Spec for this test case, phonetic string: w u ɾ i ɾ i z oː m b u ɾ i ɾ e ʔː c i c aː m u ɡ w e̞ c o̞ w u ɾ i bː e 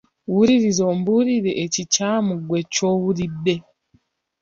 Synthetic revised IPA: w u ɾ i ɾ i z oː m b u ɾ i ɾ e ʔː c i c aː m u ɡ w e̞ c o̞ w u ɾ i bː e